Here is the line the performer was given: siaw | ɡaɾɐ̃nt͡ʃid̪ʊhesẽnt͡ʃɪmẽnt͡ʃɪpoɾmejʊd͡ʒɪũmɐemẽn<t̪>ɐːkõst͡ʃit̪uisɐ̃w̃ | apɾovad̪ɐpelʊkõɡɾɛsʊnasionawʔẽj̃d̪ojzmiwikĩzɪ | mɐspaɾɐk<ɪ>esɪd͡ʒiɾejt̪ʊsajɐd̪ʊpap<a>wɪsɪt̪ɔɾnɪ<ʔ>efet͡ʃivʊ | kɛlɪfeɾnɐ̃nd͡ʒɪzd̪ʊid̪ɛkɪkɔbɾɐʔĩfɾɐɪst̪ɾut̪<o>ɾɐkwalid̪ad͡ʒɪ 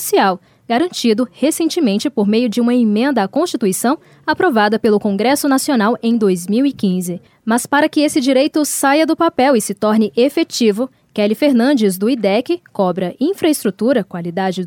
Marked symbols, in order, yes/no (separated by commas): no, yes, no, yes, no